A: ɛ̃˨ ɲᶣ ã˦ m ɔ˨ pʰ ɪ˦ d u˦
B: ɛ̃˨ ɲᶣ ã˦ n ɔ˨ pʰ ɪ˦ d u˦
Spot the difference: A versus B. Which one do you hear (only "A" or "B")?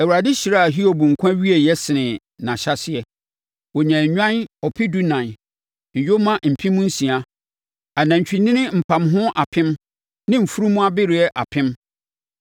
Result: B